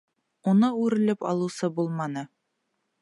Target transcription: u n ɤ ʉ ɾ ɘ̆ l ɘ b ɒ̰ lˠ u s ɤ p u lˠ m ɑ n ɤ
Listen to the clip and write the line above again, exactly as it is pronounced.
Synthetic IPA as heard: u n ɤ ʉ ɾ ɘ̆ l ɘ p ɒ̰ lˠ u s ɤ b u lˠ m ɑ n ɤ

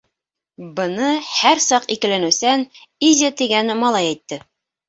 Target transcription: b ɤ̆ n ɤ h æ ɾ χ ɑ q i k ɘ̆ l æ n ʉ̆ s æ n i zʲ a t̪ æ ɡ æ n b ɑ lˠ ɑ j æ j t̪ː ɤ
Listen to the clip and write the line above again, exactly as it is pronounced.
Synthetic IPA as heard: b ɤ̆ n ɤ h æ ɾ s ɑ q i k ɘ̆ l æ n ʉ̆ s æ n i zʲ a t̪ i ɡ æ n m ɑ lˠ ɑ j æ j t̪ː ɤ

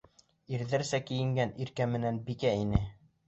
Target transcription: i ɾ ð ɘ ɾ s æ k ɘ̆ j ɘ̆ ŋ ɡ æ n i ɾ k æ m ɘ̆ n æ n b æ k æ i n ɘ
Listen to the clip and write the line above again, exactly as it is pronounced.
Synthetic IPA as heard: i ɾ ð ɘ ɾ s æ k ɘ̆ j ɘ̆ ŋ ɡ æ n i ɾ k æ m ɘ̆ n æ n b i k æ i n ɘ

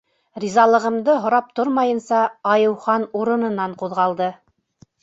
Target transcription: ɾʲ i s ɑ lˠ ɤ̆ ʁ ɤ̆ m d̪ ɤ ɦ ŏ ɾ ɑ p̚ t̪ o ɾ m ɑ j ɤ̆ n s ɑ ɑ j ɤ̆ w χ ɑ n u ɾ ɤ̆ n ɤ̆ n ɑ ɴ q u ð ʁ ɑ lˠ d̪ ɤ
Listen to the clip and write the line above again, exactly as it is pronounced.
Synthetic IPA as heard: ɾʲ i z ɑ lˠ ɤ̆ ʁ ɤ̆ m d̪ ɤ ɦ ŏ ɾ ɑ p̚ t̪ o ɾ m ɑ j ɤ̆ n s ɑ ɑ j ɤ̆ w χ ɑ n u ɾ ɤ̆ n ɤ̆ n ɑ ɴ q u ð ʁ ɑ lˠ d̪ ɤ

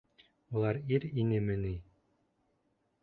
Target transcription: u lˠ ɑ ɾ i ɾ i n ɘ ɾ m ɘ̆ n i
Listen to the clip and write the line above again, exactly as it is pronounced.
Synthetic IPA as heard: u lˠ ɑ ɾ i ɾ i n ɘ m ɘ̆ n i

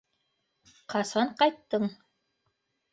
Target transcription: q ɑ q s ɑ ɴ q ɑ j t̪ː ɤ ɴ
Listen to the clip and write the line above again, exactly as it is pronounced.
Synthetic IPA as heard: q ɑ s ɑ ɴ q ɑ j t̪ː ɤ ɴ

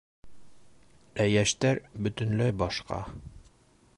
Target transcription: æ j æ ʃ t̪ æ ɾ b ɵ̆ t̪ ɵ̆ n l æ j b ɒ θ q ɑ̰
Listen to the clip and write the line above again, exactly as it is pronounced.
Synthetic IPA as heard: æ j æ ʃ t̪ æ ɾ b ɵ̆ t̪ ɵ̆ n l æ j b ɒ ʃ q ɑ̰

